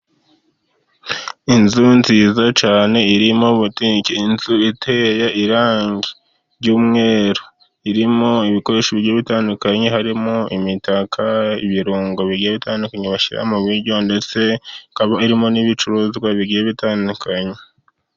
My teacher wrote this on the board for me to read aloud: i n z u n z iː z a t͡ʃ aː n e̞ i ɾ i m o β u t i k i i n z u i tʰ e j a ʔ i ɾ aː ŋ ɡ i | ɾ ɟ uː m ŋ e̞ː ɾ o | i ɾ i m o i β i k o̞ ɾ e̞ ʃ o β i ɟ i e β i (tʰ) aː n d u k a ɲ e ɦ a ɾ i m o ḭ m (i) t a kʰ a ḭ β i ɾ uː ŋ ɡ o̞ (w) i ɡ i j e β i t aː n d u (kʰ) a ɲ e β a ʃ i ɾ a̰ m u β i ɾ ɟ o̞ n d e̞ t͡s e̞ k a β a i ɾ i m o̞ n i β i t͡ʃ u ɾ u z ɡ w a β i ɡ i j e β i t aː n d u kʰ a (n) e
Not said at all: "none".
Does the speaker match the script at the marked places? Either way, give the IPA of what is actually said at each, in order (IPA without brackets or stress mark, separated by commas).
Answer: t, i, β, k, ɲ